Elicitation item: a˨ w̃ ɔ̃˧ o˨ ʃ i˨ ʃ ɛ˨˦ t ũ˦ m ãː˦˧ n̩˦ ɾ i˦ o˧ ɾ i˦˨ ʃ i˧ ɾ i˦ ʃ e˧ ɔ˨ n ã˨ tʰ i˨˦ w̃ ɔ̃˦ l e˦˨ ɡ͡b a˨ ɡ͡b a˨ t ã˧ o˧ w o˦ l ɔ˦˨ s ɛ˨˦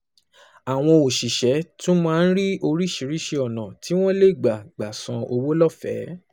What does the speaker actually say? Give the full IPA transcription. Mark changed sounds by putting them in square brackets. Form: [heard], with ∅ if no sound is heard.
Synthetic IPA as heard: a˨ w̃ ɔ̃˧ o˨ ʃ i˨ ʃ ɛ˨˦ t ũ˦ m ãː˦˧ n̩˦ ɾ i˦ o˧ ɾ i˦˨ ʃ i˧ ɾ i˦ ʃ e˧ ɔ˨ n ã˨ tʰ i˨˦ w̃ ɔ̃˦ l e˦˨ ɡ͡b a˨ ɡ͡b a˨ [s] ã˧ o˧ w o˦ l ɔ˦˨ [f] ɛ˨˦